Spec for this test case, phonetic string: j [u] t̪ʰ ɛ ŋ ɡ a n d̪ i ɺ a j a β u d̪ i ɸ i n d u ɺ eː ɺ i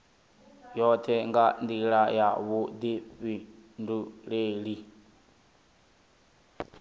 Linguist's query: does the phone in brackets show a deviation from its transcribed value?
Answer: yes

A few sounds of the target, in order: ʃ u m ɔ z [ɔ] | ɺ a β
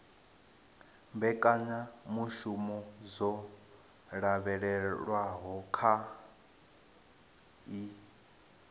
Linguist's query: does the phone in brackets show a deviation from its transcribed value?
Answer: no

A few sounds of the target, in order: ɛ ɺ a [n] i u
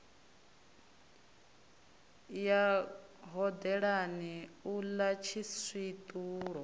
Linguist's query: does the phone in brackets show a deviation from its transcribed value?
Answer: no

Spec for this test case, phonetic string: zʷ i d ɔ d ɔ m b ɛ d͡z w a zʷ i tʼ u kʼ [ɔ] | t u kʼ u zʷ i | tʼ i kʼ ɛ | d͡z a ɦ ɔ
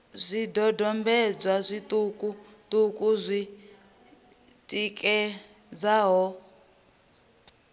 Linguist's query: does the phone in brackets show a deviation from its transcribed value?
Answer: yes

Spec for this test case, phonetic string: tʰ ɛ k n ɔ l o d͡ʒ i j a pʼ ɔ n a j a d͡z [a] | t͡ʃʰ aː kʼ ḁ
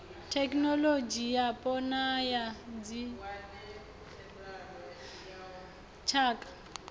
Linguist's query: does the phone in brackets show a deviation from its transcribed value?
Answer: yes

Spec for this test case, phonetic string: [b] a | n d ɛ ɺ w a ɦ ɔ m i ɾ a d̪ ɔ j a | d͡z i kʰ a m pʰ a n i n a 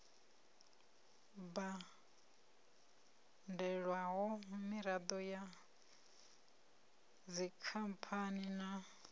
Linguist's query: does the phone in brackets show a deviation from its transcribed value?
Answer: no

